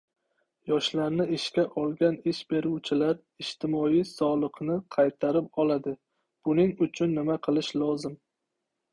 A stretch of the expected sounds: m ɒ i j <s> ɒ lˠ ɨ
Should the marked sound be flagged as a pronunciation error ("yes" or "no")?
no